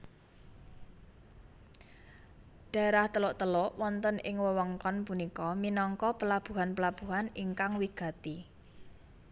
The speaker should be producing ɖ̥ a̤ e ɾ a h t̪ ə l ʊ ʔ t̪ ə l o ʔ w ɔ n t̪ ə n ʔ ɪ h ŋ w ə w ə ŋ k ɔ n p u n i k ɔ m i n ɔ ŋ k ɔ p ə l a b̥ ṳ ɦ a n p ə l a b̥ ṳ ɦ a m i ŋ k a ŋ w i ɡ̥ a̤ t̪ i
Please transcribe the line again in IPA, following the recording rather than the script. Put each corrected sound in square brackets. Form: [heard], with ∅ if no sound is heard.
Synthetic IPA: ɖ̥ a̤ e ɾ a h t̪ ə l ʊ ʔ t̪ ə l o ʔ w ɔ n t̪ ə n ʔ ɪ [∅] ŋ w ə w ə ŋ k ɔ n p u n i k ɔ m i n ɔ ŋ k ɔ p ə l a b̥ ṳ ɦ a n p ə l a b̥ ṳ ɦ a [n] i ŋ k a ŋ w i ɡ̥ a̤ t̪ i

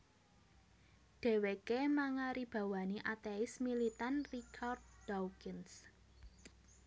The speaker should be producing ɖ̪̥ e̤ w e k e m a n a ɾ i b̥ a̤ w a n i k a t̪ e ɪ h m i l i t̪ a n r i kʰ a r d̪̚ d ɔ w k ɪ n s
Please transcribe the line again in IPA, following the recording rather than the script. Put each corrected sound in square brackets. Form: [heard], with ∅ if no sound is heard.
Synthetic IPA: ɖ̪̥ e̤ w e k e m a [ŋ] a ɾ i b̥ a̤ w a n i [ʔ] a t̪ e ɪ [s] m i l i t̪ a n r i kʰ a r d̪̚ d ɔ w k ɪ n s

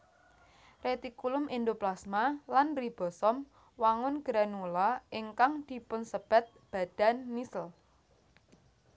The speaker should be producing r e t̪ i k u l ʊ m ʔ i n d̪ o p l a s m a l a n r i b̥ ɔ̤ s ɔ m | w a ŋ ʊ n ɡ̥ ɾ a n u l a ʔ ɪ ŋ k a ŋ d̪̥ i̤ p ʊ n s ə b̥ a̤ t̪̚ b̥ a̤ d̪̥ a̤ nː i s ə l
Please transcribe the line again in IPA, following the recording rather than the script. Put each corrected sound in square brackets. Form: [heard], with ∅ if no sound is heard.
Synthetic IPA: r e t̪ i k u l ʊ m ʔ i n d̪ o p l a s m a l a n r i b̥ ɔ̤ s ɔ m | w a ŋ ʊ n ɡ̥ ɾ a n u l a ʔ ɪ ŋ k a ŋ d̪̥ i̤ p ʊ n s ə b̥ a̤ t̪̚ b̥ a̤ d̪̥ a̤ nː i s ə l

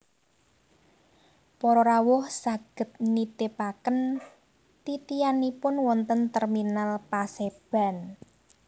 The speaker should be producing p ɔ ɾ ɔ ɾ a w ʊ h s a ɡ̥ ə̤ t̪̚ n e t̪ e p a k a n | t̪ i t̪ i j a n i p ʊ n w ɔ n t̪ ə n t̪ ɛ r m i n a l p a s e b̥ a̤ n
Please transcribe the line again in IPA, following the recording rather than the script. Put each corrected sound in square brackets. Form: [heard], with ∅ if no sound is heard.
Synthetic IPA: p ɔ ɾ ɔ ɾ a w ʊ h s a ɡ̥ ə̤ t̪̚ n [i] t̪ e p a k [ə] n | t̪ i t̪ i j a n i p ʊ n w ɔ n t̪ ə n t̪ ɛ r m i n a l p a s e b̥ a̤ n

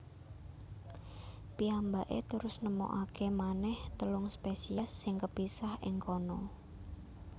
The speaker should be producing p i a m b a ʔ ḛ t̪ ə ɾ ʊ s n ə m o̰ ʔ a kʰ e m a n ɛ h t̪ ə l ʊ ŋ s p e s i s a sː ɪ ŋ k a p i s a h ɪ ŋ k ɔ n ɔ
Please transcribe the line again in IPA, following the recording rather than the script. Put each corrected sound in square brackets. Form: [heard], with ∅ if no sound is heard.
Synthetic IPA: p i a m b a ʔ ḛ t̪ ə ɾ ʊ s n ə m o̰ ʔ a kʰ e m a n ɛ h t̪ ə l ʊ ŋ s p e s i [∅] a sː ɪ ŋ k [ə] p i s a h ɪ ŋ k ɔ n ɔ

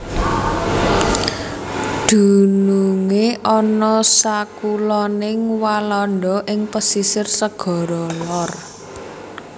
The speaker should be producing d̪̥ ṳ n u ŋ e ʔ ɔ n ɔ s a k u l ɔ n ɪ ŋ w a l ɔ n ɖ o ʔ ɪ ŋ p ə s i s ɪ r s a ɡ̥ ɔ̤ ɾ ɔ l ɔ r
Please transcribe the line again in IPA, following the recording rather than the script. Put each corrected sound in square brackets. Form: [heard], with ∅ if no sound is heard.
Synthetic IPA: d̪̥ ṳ n u ŋ e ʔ ɔ n ɔ s a k u l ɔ n ɪ ŋ w a l ɔ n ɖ [ɔ] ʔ ɪ ŋ p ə s i s ɪ r s [ə] ɡ̥ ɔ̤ ɾ ɔ l ɔ r

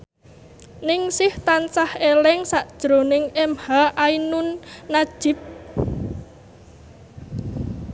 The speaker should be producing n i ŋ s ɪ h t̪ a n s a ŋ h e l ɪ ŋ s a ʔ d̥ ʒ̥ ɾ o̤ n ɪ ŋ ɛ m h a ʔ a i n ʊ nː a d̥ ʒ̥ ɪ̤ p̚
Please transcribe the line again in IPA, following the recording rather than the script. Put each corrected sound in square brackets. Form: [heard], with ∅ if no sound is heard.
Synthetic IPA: n [ɪ] ŋ s ɪ h t̪ a n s a [∅] h e l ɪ ŋ s a ʔ d̥ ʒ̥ ɾ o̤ n ɪ ŋ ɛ m h a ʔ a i n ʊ nː a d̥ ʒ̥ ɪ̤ p̚

